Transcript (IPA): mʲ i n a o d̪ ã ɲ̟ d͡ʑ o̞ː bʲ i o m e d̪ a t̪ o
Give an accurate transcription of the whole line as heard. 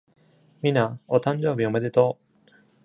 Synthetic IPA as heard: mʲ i n a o t̪ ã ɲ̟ d͡ʑ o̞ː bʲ i o m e d̪ e t̪ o